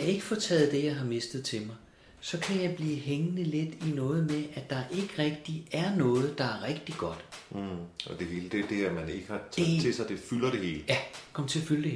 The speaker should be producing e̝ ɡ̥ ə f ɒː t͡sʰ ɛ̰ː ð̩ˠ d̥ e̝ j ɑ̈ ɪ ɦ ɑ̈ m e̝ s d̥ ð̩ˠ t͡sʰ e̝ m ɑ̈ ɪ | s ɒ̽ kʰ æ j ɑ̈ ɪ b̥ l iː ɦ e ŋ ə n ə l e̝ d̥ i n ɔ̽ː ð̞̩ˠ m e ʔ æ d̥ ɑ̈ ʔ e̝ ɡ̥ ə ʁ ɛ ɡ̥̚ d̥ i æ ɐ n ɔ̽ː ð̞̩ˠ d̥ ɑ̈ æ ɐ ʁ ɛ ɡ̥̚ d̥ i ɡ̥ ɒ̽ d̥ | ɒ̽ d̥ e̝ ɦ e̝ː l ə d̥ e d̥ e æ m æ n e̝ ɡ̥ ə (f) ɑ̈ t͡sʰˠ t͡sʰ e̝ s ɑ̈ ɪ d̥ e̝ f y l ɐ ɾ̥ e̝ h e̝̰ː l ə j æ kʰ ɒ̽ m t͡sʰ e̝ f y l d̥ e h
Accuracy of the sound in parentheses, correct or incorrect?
incorrect